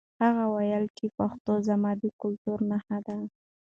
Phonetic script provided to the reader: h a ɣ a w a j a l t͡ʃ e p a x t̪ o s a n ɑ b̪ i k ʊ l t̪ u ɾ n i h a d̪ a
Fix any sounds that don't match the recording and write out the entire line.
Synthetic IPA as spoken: h a ɣ a w a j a l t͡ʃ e p a x t̪ o z a m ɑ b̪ i k ʊ l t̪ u ɾ n a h a d̪ a